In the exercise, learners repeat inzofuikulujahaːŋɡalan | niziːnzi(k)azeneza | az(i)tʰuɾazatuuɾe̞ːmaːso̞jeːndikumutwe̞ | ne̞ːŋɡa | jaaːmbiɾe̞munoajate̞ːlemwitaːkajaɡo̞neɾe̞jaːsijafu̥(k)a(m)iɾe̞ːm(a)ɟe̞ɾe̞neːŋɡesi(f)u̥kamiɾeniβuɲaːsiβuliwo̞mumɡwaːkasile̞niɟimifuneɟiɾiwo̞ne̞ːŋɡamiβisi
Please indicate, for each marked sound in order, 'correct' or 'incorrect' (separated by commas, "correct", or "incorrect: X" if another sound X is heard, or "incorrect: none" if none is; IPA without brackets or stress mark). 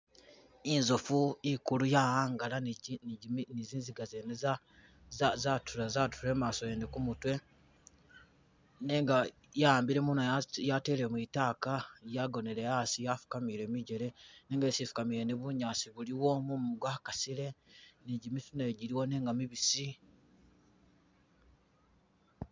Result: incorrect: ɡ, incorrect: a, correct, correct, incorrect: i, correct